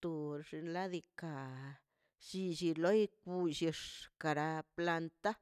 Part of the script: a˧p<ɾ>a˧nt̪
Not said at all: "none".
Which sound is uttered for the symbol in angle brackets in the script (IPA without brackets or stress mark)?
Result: l